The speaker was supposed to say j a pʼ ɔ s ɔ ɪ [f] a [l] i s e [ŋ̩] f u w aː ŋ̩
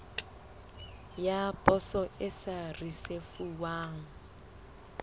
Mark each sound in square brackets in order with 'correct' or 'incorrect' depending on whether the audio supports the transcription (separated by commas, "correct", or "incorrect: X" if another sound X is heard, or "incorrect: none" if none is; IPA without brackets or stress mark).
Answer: incorrect: s, incorrect: r, incorrect: none